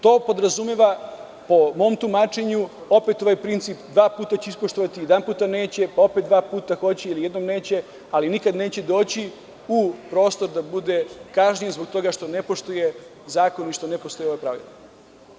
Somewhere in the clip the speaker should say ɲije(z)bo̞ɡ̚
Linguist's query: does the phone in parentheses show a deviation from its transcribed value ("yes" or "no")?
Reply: no